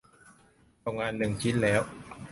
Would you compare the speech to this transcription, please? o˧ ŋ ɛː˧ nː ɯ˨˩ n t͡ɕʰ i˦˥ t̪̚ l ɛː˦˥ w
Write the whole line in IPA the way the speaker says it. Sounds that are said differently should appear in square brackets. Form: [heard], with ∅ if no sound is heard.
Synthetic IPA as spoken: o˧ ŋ [aː˧] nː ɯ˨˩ [ŋ] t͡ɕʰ i˦˥ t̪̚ l ɛː˦˥ w